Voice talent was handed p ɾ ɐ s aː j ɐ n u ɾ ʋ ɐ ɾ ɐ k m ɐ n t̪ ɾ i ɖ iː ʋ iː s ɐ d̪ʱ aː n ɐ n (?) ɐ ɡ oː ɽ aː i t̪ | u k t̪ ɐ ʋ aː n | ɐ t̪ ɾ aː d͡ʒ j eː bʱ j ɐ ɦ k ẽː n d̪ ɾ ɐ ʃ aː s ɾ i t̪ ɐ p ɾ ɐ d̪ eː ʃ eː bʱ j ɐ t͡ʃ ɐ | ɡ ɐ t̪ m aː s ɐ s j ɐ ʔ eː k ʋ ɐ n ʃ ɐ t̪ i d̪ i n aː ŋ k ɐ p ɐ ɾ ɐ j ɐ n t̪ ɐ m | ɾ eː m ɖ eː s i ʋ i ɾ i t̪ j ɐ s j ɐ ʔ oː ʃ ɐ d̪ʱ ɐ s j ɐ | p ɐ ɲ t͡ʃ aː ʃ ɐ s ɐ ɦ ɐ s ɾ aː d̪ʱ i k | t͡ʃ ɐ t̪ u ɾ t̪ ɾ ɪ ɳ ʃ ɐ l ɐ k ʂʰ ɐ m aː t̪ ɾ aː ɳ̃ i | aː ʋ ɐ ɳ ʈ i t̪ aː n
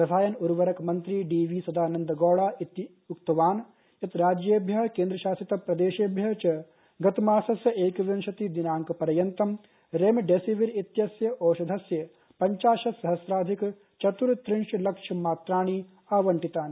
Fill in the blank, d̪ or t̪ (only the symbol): d̪